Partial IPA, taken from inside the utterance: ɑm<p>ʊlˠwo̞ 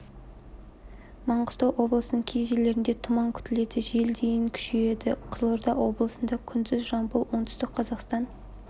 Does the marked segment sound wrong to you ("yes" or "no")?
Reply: yes